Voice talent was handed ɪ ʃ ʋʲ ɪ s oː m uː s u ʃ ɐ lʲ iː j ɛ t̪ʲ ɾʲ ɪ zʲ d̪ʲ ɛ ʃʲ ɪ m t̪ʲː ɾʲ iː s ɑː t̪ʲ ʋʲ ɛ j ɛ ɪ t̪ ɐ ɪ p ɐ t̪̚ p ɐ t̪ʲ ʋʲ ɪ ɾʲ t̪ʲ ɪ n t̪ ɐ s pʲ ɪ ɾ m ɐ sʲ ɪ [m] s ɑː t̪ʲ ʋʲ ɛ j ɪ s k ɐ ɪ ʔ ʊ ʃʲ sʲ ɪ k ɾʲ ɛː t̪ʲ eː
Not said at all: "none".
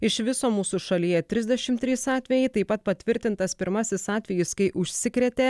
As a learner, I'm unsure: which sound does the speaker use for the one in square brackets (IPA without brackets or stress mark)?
none